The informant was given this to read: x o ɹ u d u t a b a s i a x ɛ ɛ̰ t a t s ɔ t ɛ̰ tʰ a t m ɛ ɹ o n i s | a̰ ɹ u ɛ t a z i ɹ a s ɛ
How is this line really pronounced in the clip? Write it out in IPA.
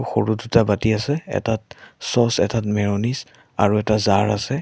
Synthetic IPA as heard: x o ɹ u d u t a b a t i a s ɛ ɛ̰ t a t s ɔ s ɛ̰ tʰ a t m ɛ ɹ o n i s | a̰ ɹ u ɛ t a z a ɹ a s ɛ